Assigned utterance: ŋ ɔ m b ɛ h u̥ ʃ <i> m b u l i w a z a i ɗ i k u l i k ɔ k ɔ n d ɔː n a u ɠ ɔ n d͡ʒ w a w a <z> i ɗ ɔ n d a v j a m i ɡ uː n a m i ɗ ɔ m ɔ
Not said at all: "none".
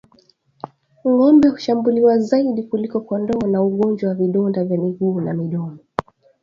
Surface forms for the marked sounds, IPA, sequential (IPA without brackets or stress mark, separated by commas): a, v